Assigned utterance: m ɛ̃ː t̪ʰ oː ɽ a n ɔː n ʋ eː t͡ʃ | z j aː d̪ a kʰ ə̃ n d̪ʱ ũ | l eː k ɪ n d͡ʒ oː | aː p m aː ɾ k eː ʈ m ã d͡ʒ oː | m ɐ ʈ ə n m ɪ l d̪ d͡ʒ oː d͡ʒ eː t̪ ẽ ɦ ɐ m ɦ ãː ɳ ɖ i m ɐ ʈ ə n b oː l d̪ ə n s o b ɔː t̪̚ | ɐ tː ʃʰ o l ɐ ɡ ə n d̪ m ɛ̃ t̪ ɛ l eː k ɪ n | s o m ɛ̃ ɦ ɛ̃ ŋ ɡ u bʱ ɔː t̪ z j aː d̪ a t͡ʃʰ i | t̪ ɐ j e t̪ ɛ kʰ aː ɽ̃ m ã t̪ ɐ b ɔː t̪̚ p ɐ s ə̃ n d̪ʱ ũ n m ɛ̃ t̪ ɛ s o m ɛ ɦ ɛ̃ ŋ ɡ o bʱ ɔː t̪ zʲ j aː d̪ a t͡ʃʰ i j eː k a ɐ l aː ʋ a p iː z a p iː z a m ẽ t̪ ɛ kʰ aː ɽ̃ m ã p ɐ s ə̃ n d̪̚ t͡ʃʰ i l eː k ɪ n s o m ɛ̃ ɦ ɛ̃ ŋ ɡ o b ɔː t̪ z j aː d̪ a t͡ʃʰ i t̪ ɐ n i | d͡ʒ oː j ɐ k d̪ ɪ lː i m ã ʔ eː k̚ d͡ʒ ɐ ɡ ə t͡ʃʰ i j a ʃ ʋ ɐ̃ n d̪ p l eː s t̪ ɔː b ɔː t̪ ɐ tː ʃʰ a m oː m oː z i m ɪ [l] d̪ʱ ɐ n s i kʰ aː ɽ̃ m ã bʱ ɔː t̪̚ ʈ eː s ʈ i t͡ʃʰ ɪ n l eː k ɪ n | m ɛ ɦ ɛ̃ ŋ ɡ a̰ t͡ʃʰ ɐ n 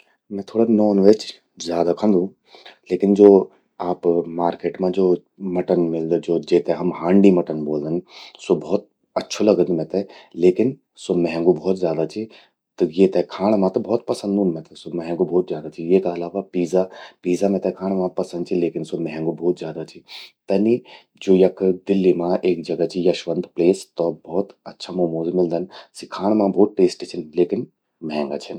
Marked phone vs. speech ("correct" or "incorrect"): correct